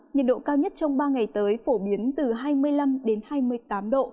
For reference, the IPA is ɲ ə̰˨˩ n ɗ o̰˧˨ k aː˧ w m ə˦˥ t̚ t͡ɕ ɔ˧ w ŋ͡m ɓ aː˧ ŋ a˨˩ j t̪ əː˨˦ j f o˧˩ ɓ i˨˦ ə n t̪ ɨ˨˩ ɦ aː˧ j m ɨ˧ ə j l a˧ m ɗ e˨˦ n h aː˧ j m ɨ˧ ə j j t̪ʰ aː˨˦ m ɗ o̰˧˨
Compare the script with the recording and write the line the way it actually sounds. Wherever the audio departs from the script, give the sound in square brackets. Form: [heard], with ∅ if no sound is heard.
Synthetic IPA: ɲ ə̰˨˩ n ɗ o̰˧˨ k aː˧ w [ɲ] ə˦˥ t̚ t͡ɕ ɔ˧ w ŋ͡m ɓ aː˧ ŋ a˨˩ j t̪ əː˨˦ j f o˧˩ ɓ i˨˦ ə n t̪ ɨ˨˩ ɦ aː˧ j m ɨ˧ ə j l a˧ m ɗ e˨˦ n h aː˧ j m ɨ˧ ə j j [t̪] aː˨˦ m ɗ o̰˧˨